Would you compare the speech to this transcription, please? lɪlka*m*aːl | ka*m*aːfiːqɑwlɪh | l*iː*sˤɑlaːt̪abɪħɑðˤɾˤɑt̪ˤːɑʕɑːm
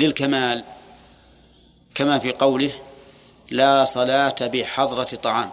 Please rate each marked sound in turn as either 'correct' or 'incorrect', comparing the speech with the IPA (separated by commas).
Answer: correct, correct, incorrect